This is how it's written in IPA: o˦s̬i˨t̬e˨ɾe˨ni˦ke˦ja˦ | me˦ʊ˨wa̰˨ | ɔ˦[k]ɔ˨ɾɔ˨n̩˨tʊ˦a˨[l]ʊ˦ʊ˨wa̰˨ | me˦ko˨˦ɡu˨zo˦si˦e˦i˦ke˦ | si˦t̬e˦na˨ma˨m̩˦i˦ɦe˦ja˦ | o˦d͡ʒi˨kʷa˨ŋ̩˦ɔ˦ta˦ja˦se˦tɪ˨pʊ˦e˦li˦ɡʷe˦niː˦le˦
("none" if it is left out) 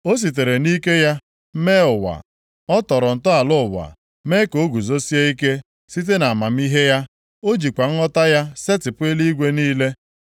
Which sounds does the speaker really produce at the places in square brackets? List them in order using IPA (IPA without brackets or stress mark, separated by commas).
t, l